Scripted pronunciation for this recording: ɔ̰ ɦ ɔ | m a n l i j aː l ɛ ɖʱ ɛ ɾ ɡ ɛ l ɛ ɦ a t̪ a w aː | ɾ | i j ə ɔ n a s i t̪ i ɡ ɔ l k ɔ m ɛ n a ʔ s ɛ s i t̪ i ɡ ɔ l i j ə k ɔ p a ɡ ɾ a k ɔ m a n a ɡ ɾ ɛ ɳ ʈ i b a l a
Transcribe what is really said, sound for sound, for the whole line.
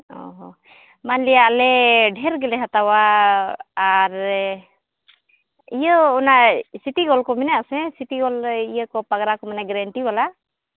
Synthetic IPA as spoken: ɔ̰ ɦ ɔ | m a n l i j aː l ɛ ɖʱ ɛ ɾ ɡ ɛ l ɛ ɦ a t̪ a w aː | ɾ | i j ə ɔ n a s i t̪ i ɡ ɔ l k ɔ m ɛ n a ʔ s ɛ s i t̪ i ɡ ɔ l i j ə k ɔ p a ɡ ɾ a k ɔ m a n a ɡ ɾ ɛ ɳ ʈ i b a l a